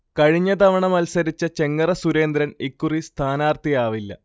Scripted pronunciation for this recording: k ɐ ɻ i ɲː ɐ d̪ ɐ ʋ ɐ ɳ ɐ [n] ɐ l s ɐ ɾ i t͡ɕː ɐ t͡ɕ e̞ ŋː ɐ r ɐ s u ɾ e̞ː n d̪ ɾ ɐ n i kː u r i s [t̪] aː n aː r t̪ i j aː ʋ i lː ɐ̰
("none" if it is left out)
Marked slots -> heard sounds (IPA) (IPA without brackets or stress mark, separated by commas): m, t̪ʰ